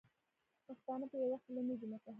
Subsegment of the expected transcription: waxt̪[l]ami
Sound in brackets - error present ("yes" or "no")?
no